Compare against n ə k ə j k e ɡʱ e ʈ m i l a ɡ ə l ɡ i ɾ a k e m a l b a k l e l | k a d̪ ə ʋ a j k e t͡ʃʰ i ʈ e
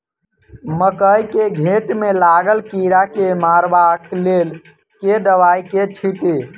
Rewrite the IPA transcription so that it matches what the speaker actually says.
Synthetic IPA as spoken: m ə k ə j k e ɡʱ e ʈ m e l a ɡ ə l k i ɾ a k e m a ɾ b a k l e l | k e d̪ ə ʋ a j k e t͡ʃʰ i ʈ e